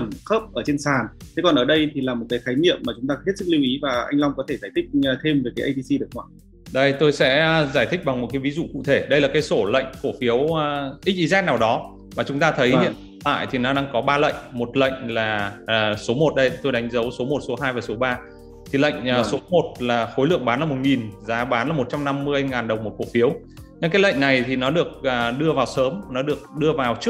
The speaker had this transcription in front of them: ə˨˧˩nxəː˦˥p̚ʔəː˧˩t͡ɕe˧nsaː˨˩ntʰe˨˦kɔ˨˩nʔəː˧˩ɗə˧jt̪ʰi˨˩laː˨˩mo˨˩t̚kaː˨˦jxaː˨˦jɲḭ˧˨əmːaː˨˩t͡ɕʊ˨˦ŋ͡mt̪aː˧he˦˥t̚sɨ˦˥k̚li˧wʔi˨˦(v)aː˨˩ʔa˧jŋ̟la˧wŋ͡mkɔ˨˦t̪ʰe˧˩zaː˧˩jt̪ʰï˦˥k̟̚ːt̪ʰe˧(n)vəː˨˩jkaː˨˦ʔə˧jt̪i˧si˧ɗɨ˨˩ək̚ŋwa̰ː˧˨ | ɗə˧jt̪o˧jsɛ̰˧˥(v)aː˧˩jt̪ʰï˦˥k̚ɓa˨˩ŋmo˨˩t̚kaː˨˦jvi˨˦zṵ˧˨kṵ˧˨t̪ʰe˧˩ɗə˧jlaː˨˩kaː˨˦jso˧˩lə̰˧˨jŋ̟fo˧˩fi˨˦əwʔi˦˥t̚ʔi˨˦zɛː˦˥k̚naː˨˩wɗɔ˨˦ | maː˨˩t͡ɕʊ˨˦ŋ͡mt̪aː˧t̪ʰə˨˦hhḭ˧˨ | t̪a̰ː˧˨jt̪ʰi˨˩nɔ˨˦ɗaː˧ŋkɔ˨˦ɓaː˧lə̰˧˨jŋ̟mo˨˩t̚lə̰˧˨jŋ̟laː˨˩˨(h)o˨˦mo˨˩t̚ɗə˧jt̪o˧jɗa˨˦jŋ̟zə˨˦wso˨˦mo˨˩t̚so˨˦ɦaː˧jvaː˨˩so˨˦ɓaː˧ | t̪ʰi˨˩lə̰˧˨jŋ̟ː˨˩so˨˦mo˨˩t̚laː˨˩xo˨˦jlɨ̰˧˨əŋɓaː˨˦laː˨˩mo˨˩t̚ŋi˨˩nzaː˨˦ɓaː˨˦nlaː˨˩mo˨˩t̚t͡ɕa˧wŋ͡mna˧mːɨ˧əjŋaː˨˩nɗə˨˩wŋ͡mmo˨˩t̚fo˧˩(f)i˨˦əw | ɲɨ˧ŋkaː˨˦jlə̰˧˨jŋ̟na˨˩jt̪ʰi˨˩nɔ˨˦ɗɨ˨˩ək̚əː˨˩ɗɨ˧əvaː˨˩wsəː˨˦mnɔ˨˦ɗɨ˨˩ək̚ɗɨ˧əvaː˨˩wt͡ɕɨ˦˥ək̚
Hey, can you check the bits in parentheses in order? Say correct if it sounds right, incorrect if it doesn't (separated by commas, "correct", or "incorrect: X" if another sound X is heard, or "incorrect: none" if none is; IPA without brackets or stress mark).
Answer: correct, incorrect: m, incorrect: z, incorrect: s, correct